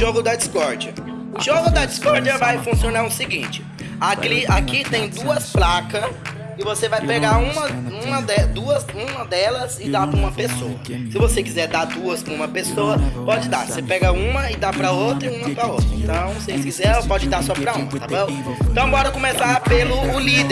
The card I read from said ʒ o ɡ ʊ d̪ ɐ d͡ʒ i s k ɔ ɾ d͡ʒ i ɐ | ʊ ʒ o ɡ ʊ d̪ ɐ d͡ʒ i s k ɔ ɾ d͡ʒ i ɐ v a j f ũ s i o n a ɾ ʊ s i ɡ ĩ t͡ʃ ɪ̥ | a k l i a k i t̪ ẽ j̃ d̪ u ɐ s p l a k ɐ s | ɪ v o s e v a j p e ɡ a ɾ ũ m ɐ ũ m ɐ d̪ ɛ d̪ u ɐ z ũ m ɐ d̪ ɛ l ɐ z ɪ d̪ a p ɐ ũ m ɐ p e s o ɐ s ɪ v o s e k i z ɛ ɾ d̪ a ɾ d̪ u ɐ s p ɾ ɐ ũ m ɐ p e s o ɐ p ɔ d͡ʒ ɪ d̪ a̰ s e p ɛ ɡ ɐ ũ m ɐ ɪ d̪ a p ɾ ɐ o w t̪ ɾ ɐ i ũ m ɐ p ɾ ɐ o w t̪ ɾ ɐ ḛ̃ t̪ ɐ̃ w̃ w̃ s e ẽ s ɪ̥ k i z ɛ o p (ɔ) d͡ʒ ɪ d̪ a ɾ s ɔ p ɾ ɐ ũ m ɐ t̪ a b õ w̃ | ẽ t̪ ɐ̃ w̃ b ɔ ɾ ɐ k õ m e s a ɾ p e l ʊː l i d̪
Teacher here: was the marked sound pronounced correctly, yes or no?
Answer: yes